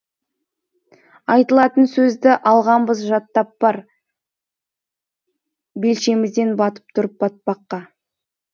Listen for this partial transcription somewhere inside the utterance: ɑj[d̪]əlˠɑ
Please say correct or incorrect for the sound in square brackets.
incorrect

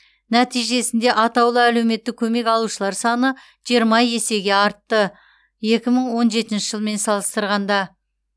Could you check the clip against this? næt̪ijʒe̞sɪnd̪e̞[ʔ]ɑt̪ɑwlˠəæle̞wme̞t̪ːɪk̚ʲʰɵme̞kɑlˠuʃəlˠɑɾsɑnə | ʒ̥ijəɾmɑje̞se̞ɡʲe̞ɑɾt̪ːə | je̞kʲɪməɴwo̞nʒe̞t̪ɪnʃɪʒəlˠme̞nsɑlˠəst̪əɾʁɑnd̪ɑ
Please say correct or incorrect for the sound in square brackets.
correct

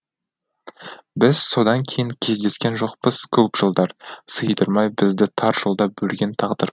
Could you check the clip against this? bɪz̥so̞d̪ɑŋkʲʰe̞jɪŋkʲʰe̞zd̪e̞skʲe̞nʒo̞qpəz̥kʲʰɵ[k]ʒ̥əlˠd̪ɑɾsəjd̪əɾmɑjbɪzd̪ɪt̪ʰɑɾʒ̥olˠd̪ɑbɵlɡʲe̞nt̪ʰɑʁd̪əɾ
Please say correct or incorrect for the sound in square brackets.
incorrect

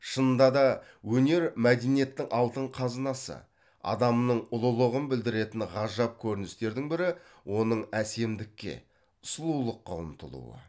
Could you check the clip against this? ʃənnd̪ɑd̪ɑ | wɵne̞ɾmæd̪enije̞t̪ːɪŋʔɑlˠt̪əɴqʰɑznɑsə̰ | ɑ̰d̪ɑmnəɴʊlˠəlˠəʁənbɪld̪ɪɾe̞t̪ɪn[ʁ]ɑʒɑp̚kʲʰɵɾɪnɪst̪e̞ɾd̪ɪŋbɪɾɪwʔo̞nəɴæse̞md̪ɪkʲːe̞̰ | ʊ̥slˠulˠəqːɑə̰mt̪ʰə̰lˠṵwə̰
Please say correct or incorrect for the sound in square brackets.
correct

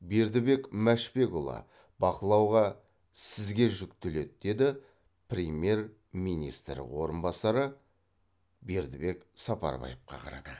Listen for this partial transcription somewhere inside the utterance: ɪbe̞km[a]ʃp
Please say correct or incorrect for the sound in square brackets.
incorrect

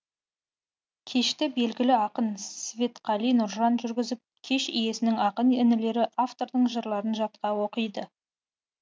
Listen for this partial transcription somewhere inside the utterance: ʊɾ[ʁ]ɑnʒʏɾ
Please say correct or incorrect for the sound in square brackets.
incorrect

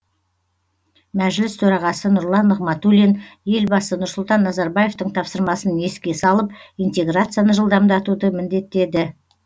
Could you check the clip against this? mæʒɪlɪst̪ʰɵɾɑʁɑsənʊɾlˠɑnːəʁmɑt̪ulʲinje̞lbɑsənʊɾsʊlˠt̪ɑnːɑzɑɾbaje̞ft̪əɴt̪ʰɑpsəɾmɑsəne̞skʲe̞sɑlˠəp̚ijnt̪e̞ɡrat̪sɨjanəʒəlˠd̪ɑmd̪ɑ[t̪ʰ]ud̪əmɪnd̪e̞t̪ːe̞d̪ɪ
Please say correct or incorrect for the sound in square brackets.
incorrect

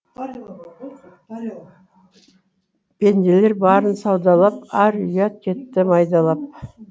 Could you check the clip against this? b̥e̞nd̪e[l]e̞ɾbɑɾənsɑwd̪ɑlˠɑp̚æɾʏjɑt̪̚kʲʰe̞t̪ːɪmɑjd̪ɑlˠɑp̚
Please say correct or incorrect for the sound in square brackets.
correct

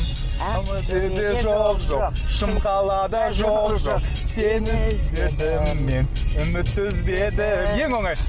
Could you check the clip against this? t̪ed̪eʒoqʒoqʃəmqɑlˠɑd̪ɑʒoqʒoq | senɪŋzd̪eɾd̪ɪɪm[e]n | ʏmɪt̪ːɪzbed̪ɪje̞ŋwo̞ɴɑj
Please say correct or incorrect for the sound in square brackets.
correct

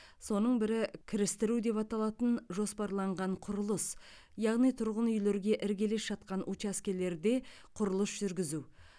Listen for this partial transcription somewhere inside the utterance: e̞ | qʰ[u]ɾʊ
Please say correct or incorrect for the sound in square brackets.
incorrect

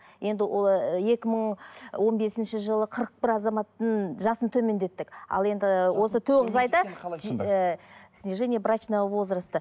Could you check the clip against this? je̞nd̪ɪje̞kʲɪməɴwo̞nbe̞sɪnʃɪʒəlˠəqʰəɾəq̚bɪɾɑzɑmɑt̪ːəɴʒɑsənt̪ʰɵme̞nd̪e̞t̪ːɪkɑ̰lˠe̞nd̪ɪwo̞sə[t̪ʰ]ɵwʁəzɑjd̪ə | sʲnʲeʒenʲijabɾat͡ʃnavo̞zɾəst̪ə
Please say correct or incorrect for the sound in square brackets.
correct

